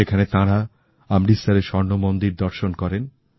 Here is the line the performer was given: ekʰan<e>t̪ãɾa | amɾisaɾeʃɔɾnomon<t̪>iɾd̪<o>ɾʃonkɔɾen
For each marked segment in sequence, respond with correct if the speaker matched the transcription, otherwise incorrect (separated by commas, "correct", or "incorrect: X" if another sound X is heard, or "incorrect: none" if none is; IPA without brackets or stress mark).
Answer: correct, incorrect: d̪, incorrect: ɔ